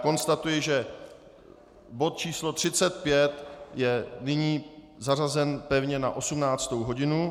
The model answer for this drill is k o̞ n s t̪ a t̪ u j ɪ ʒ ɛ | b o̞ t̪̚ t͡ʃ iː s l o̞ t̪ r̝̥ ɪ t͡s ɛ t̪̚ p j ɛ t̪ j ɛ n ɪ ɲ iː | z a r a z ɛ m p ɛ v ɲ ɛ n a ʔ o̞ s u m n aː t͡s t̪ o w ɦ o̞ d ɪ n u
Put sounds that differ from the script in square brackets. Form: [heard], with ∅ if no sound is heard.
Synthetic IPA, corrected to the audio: k o̞ n s t̪ a t̪ u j ɪ ʒ ɛ | b o̞ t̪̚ t͡ʃ iː s l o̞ t̪ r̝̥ ɪ t͡s ɛ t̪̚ p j ɛ t̪ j ɛ n ɪ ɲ iː | z a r a z ɛ [n] p ɛ v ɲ ɛ n a ʔ o̞ s u m n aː t͡s t̪ o w ɦ o̞ [ɟ] ɪ n u

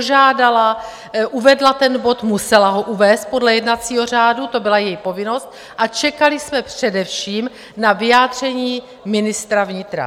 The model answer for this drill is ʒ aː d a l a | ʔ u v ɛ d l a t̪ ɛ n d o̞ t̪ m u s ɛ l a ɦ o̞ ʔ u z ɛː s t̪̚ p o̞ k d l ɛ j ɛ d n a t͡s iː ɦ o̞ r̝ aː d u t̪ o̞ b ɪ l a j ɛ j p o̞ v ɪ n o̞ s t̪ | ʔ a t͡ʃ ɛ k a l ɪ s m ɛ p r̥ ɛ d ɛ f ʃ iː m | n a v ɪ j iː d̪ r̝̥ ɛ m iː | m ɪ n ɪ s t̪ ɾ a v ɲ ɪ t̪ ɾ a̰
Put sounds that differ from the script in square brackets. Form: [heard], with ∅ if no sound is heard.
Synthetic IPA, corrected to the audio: ʒ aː d a l a | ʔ u v ɛ d l a t̪ ɛ n [b] o̞ t̪ m u s ɛ l a ɦ o̞ ʔ u [v] ɛː s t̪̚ p o̞ [∅] d l ɛ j ɛ d n a t͡s iː ɦ o̞ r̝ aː d u t̪ o̞ b ɪ l a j ɛ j p o̞ v ɪ n o̞ s t̪ | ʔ a t͡ʃ ɛ k a l ɪ s m ɛ p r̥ ɛ d ɛ f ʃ iː m | n a v ɪ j [aː] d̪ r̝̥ ɛ [ɲ] iː | m ɪ n ɪ s t̪ ɾ a v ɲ ɪ t̪ ɾ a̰

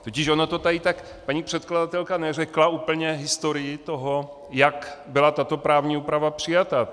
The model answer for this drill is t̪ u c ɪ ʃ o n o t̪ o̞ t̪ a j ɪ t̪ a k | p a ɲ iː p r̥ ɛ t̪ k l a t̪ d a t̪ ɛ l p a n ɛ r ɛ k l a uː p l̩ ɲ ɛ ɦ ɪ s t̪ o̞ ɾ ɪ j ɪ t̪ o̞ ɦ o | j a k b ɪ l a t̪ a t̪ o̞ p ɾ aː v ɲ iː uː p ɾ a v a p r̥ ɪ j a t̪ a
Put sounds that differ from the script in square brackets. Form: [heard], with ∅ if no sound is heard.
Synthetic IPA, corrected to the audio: t̪ [o] c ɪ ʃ o n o t̪ o̞ t̪ a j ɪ t̪ a k | p a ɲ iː p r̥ ɛ t̪ k l a [∅] d a t̪ ɛ l [k] a n ɛ r ɛ k l a uː p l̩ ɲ ɛ ɦ ɪ s t̪ o̞ ɾ ɪ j ɪ t̪ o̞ ɦ o | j a k b ɪ l a t̪ a t̪ o̞ p ɾ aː v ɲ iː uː p ɾ a v a p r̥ ɪ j a t̪ a

